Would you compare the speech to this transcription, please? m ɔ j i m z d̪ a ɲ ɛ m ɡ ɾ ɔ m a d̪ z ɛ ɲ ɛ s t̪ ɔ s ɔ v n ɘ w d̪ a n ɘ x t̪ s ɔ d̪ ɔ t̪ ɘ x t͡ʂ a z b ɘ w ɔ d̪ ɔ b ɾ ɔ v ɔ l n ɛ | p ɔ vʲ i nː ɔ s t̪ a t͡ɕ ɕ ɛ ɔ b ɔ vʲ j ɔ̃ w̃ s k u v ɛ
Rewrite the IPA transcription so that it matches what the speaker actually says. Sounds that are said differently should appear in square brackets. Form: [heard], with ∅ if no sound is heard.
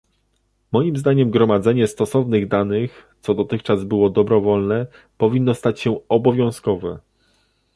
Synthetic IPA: m ɔ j i m z d̪ a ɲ ɛ m ɡ ɾ ɔ m a d̪ z ɛ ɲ ɛ s t̪ ɔ s ɔ v n ɘ [ɣ] d̪ a n ɘ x t̪ s ɔ d̪ ɔ t̪ ɘ x t͡ʂ a z b ɘ w ɔ d̪ ɔ b ɾ ɔ v ɔ l n ɛ | p ɔ vʲ i nː ɔ s t̪ a t͡ɕ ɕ ɛ ɔ b ɔ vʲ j ɔ̃ w̃ s k [ɔ] v ɛ